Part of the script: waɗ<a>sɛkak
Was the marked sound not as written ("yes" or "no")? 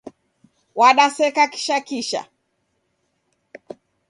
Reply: no